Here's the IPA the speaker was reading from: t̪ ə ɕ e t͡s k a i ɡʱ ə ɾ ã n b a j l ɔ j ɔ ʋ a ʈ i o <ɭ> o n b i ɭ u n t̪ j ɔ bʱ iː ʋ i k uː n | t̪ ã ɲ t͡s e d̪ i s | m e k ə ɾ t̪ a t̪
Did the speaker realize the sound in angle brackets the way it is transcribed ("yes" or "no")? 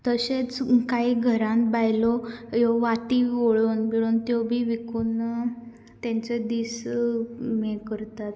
yes